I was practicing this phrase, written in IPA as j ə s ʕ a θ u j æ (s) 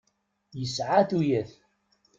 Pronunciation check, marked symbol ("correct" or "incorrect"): incorrect